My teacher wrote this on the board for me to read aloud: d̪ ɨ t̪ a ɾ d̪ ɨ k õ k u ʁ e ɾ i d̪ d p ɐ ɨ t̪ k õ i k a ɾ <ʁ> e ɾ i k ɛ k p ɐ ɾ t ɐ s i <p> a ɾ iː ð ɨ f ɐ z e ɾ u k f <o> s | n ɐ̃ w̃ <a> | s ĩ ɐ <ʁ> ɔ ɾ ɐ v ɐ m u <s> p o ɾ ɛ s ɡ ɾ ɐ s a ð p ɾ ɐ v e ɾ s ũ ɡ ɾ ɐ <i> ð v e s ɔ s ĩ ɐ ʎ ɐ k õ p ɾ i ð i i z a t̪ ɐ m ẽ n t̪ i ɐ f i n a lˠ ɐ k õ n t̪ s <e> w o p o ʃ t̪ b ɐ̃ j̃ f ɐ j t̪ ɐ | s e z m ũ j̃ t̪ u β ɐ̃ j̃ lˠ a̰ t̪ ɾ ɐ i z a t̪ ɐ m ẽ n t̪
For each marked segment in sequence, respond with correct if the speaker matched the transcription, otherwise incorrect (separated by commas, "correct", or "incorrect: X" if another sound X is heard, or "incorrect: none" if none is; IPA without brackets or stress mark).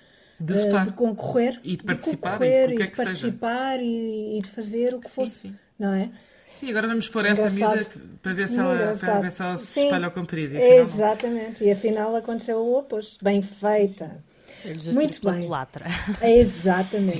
correct, correct, correct, incorrect: ɛ, incorrect: ɣ, incorrect: ʃ, incorrect: a, correct